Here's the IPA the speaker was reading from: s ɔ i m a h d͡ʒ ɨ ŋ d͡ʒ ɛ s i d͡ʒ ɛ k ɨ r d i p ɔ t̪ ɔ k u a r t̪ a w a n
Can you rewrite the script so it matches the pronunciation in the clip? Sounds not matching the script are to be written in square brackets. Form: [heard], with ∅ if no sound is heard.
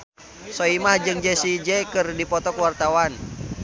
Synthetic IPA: s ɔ i m a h d͡ʒ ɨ ŋ d͡ʒ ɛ s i d͡ʒ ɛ k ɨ r d i p ɔ t̪ ɔ k [w] a r t̪ a w a n